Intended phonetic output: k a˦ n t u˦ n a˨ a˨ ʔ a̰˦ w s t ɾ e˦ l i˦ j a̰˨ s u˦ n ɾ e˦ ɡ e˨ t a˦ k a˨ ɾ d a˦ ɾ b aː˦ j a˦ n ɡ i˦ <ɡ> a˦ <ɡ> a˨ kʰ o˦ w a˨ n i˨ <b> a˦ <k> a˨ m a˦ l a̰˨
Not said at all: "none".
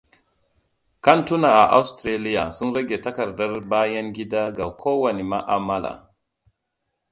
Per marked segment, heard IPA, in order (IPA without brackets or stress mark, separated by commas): d, ɡ, m, ʔ